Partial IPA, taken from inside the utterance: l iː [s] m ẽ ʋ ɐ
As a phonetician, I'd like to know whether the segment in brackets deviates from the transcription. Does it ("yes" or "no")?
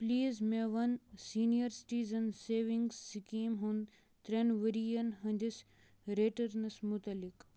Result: yes